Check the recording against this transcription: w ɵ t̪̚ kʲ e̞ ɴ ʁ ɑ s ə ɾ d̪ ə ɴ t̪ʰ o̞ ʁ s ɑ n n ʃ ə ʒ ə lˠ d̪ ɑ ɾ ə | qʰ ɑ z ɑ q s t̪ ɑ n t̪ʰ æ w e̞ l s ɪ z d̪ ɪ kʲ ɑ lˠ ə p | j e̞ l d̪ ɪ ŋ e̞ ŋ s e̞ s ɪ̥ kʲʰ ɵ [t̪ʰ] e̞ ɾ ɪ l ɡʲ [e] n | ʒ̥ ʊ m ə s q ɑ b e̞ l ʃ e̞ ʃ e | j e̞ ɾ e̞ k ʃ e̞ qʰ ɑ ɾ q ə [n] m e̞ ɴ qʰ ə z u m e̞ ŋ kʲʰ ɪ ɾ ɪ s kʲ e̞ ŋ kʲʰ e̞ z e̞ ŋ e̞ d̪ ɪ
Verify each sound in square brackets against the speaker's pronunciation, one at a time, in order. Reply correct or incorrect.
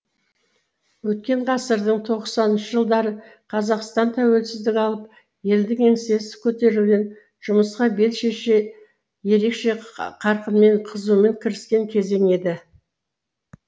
incorrect: t̪, correct, correct

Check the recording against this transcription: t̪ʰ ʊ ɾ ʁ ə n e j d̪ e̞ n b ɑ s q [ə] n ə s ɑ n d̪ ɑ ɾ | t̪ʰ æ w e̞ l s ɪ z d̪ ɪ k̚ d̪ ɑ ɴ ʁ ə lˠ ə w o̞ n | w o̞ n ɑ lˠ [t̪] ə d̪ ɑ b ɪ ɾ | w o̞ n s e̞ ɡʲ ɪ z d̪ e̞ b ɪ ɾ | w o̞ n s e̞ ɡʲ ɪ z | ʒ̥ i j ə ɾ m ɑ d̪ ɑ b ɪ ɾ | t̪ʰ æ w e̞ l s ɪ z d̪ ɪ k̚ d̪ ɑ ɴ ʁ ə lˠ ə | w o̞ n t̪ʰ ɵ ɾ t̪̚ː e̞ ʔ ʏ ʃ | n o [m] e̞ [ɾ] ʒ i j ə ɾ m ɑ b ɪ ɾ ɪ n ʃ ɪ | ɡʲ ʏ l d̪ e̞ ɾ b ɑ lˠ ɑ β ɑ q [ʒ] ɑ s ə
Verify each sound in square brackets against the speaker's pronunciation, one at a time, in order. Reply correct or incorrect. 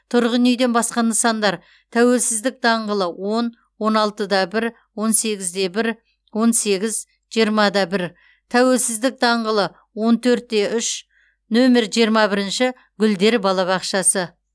incorrect: ɑ, correct, correct, correct, incorrect: ʃ

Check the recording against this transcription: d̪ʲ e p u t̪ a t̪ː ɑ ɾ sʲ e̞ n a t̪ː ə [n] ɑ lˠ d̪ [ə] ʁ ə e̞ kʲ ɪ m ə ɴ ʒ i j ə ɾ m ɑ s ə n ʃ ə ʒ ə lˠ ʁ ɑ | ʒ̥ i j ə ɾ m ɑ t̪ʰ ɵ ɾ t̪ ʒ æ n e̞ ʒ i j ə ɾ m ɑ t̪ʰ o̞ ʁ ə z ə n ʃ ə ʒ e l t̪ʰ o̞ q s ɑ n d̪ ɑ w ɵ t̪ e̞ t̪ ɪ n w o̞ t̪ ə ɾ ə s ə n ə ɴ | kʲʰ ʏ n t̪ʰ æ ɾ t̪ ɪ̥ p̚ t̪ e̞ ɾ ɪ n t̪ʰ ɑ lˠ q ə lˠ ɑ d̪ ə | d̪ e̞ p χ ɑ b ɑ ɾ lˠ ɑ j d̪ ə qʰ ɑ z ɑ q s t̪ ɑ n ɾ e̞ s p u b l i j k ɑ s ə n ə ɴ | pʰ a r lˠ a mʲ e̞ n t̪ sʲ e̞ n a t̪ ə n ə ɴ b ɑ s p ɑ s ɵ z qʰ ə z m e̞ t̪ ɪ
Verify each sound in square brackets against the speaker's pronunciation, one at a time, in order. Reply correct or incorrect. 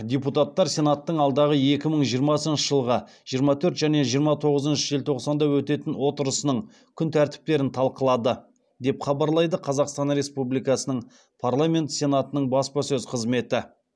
incorrect: ɴ, incorrect: ɑ

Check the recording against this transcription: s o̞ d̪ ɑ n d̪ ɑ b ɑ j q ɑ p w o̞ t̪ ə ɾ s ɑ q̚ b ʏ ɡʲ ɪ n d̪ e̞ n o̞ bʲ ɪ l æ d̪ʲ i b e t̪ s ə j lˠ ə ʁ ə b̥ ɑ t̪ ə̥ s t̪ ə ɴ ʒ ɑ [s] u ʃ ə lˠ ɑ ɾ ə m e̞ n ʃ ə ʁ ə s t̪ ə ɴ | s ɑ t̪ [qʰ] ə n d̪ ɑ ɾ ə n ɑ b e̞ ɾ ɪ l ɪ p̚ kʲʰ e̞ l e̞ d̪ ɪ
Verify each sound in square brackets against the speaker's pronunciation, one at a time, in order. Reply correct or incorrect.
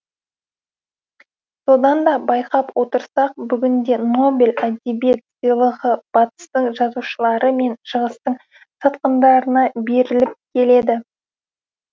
incorrect: z, incorrect: q

